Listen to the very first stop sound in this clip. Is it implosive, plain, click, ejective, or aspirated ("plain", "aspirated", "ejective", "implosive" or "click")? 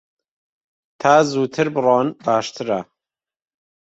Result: aspirated